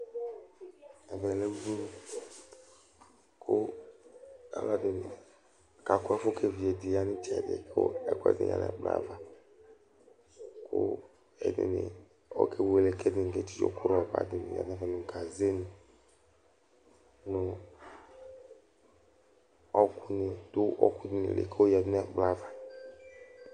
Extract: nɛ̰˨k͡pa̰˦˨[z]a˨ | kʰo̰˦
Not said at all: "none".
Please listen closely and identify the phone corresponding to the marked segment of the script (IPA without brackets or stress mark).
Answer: v